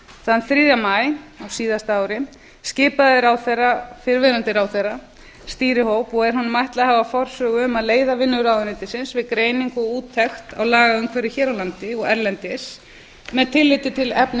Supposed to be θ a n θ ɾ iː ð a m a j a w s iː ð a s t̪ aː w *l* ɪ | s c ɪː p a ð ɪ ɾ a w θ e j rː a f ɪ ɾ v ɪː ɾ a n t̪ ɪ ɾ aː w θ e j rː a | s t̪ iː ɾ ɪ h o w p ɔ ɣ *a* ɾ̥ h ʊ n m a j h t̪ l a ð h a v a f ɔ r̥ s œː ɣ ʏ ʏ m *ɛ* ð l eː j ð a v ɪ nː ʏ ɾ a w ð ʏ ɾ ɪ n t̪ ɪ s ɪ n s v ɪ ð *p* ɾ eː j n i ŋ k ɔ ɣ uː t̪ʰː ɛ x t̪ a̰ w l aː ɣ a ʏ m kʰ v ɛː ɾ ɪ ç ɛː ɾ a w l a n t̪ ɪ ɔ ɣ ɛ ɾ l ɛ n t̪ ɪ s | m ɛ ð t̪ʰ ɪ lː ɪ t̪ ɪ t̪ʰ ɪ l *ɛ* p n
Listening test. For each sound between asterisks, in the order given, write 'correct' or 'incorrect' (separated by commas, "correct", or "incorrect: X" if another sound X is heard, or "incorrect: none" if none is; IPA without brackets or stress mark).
incorrect: ɾ, incorrect: ɛ, incorrect: a, incorrect: k, correct